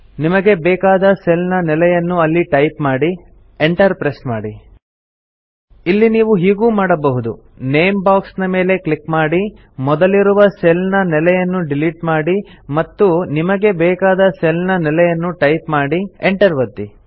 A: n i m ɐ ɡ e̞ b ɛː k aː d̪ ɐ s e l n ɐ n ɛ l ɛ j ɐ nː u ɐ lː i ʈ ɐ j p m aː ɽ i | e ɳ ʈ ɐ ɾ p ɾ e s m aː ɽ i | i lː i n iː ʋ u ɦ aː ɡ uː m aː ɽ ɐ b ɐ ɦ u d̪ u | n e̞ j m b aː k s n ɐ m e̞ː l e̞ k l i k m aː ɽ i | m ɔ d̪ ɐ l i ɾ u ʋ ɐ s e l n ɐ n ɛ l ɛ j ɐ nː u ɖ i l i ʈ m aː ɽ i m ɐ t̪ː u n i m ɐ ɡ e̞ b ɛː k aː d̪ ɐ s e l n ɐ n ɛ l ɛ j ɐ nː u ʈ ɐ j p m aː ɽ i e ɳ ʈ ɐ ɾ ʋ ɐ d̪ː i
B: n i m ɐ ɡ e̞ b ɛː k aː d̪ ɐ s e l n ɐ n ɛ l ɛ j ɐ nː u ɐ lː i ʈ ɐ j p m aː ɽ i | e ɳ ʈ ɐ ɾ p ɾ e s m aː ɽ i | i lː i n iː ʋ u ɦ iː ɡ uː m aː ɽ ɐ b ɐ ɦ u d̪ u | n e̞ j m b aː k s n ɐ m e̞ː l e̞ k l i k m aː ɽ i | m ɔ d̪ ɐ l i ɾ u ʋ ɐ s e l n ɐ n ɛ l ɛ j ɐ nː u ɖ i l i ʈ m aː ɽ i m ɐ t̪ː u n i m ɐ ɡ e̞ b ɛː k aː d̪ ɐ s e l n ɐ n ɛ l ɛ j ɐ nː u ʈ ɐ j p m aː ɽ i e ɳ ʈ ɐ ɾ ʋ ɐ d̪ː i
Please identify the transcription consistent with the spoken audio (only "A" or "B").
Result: B